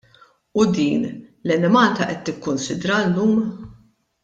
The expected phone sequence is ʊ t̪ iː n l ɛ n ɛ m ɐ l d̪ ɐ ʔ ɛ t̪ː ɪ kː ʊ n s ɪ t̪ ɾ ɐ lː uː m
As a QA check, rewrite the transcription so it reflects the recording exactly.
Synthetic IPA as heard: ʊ d̪ iː n l ɛ n ɛ m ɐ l t̪ ɐ ʔ ɛ t̪ː ɪ kː ʊ n s ɪ d̪ ɾ ɐ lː uː m